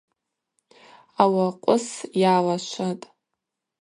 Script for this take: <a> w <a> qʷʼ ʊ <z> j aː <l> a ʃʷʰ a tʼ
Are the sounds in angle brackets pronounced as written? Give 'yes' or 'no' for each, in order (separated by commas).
yes, yes, no, yes